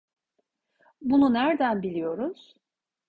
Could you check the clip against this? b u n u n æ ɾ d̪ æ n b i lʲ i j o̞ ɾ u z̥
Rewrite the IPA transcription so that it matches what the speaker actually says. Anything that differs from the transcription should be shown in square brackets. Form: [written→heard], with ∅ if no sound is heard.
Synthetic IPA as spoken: b u n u n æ ɾ d̪ æ n b i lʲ i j o̞ ɾ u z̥

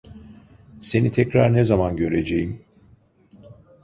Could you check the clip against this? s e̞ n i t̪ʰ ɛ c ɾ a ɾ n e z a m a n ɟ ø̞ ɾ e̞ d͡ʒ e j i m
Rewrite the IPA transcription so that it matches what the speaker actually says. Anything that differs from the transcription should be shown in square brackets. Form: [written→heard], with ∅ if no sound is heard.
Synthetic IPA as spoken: s e̞ n i t̪ʰ ɛ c ɾ a ɾ n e z a m a n ɟ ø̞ ɾ e̞ d͡ʒ e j i m

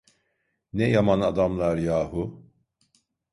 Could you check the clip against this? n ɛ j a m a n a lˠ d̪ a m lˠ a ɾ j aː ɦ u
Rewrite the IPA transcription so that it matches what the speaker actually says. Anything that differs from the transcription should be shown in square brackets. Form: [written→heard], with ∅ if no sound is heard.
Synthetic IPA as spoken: n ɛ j a m a n a [lˠ→∅] d̪ a m lˠ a ɾ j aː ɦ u

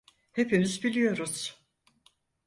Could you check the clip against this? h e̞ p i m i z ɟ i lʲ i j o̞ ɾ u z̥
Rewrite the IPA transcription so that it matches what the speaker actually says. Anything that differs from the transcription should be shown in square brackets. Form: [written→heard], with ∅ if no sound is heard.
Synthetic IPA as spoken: h e̞ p i m i z [ɟ→b] i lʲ i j o̞ ɾ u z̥

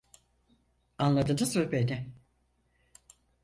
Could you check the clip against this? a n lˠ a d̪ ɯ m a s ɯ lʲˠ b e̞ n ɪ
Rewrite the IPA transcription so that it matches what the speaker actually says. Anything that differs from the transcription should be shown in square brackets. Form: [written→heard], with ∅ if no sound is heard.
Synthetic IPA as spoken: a n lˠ a d̪ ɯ [m→n] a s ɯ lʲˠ b e̞ n ɪ

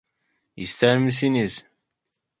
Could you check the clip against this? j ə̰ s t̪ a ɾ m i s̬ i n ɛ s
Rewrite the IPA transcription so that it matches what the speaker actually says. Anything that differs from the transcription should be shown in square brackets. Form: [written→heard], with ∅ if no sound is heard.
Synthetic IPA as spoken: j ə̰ s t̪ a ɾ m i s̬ i n [ɛ→i] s

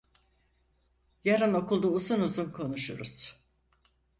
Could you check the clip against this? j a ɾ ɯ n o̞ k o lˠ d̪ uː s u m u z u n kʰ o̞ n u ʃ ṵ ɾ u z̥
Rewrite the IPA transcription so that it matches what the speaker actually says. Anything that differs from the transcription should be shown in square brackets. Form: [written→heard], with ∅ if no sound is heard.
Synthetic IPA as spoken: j a ɾ ɯ n o̞ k [o→u] lˠ d̪ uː [s→z] u [m→n] u z u n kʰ o̞ n u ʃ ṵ ɾ u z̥

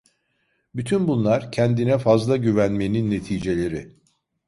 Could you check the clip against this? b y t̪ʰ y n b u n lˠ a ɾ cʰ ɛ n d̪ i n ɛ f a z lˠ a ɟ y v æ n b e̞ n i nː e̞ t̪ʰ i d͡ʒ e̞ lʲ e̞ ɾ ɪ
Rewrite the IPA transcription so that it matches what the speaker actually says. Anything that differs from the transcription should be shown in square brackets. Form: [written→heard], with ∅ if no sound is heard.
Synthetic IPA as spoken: b y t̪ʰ y n b u n lˠ a ɾ cʰ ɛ n d̪ i n ɛ f a z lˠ a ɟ y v æ n [b→m] e̞ n i nː e̞ t̪ʰ [i→iː] d͡ʒ e̞ lʲ e̞ ɾ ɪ

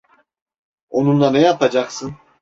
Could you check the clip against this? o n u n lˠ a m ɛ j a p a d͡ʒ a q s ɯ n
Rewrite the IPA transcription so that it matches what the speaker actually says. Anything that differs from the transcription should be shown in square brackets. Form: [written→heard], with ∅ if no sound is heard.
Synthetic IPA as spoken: o n u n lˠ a [m→n] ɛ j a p a d͡ʒ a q s ɯ n

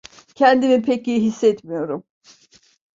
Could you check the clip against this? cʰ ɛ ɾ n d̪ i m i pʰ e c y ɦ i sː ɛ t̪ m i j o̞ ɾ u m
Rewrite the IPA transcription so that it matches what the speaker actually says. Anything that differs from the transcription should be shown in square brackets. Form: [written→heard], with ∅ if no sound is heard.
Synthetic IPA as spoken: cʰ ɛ [ɾ→∅] n d̪ i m i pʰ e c [y→i] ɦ i sː ɛ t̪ m i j o̞ ɾ u m

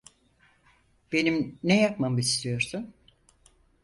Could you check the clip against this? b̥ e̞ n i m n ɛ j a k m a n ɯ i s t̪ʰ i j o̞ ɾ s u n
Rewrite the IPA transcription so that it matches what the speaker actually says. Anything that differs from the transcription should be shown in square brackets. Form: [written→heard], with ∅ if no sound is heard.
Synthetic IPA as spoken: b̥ e̞ n i m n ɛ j a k m a [n→m] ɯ i s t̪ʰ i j o̞ ɾ s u n

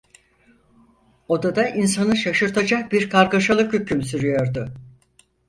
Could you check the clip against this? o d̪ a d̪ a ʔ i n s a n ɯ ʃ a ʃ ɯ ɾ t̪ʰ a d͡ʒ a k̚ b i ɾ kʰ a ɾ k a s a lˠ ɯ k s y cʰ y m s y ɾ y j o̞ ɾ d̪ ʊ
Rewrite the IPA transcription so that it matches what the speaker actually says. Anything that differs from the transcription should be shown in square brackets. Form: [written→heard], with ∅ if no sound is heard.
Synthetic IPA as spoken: o d̪ a d̪ a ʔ i n s a n ɯ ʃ a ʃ ɯ ɾ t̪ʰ a d͡ʒ a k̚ b i ɾ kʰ a ɾ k a [s→ʃ] a lˠ ɯ k [s→h] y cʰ y m s y ɾ y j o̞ ɾ d̪ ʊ

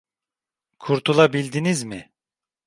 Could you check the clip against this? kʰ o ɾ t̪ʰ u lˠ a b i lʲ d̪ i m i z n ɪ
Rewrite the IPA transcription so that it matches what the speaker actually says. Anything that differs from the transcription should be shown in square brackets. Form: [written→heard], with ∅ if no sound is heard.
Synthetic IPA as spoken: kʰ [o→u] ɾ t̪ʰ u lˠ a b i lʲ d̪ i [m→n] i z [n→m] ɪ

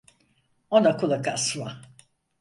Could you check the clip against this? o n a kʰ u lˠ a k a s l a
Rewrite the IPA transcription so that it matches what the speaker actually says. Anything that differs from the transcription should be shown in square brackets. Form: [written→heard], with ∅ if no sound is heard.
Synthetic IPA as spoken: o n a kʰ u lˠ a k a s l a

